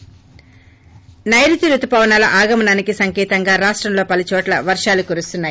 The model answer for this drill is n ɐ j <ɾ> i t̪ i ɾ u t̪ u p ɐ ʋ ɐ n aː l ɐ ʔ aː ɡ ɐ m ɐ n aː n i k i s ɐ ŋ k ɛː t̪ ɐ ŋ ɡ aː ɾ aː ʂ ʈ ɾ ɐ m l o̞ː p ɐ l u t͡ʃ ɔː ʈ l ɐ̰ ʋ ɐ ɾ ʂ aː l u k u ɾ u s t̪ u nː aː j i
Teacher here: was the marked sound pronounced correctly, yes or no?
yes